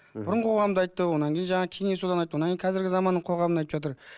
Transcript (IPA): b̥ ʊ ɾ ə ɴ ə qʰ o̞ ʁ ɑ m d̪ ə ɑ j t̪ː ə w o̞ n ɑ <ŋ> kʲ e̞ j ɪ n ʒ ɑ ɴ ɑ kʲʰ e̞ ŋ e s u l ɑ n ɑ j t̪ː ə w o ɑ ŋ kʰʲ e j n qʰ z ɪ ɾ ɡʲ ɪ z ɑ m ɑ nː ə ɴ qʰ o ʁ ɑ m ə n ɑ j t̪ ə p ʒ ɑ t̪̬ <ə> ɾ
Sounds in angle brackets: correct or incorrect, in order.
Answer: correct, correct

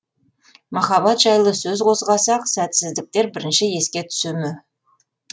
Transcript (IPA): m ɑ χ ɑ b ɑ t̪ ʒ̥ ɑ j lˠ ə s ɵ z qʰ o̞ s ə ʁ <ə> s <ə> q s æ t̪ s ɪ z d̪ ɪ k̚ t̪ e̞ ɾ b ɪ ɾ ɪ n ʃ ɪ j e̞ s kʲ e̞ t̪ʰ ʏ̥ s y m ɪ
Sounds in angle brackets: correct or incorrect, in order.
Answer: incorrect, incorrect

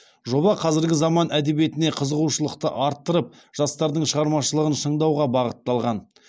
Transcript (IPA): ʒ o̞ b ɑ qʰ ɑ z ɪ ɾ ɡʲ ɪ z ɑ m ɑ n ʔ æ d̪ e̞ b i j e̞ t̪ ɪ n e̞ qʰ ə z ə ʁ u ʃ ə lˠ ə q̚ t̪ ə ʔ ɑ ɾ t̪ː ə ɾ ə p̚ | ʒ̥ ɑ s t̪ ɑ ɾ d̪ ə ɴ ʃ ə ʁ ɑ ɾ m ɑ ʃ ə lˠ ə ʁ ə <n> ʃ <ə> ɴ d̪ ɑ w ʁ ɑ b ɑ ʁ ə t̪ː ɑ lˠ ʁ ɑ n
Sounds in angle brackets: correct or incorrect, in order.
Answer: correct, correct

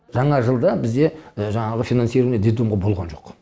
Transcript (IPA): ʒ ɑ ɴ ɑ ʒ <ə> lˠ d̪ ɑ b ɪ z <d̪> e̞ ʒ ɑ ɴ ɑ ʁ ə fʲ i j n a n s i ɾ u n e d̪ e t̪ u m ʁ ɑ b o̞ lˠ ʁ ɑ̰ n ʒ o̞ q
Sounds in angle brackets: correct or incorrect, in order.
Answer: correct, correct

